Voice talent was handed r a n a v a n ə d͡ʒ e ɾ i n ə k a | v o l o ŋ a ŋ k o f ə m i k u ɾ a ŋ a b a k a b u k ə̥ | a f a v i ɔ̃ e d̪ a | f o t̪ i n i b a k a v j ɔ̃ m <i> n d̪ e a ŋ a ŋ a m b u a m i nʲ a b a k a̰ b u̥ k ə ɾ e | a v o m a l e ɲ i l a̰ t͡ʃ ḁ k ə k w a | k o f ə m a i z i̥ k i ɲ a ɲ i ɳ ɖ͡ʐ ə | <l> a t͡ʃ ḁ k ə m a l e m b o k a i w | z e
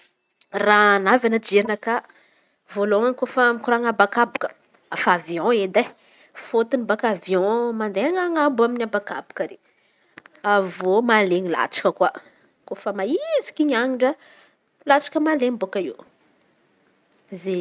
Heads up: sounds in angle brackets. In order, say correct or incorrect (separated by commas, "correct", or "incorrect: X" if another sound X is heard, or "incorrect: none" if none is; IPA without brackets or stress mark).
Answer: incorrect: a, correct